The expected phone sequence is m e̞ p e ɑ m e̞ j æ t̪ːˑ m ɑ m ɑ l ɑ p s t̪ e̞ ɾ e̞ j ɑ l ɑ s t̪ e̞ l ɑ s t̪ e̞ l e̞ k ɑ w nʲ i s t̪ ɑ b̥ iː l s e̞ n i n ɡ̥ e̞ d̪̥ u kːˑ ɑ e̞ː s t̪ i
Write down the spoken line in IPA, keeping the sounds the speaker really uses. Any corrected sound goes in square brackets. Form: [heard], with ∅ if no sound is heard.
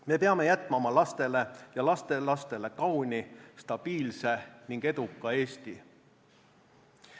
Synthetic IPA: m e̞ p e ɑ m e̞ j æ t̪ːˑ m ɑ m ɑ l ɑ [∅] s t̪ e̞ [l] e̞ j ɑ l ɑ s t̪ e̞ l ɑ s t̪ e̞ l e̞ k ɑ w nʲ i s t̪ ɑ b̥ iː l s e̞ n i [ŋ] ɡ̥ e̞ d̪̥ u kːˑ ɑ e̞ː s t̪ i